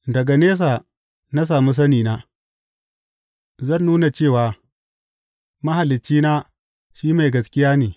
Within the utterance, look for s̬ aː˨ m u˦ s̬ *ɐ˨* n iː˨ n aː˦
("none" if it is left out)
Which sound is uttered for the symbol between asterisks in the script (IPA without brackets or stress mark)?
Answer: ɐ˦